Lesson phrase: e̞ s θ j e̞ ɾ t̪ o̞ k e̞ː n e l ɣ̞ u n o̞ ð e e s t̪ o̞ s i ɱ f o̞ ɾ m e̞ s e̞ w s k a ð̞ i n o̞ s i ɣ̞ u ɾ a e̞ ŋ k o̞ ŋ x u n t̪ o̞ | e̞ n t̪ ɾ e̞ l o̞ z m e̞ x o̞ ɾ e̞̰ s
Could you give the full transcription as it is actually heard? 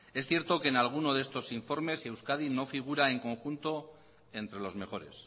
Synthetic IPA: e̞ s θ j e̞ ɾ t̪ o̞ k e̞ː n a l ɣ̞ u n o̞ ð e e s t̪ o̞ s i ɱ f o̞ ɾ m e̞ s e̞ w s k a ð̞ i n o̞ f i ɣ̞ u ɾ a e̞ ŋ k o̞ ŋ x u n t̪ o̞ | e̞ n t̪ ɾ e̞ l o̞ z m e̞ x o̞ ɾ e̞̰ s